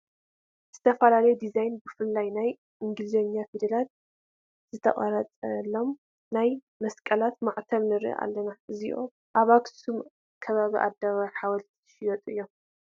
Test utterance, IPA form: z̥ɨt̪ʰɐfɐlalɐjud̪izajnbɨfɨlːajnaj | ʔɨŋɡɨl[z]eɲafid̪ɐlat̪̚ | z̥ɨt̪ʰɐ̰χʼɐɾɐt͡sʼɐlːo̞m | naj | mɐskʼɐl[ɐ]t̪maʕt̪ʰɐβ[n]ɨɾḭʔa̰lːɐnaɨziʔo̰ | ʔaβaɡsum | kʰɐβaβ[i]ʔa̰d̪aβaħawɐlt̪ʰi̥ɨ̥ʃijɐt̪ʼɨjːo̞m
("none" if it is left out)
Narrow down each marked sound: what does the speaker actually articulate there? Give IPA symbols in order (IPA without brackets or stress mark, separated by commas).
z, a, n, i